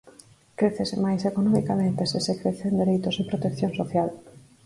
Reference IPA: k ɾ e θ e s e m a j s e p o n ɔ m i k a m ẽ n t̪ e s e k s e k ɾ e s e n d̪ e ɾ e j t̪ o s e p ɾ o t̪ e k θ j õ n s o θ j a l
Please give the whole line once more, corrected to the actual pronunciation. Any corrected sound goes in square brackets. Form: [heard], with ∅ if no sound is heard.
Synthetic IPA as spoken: k ɾ e θ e s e m a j s e [k] o n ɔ m i k a m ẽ n t̪ e s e [∅] s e k ɾ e [θ] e n d̪ e ɾ e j t̪ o s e p ɾ o t̪ e k θ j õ n s o θ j a l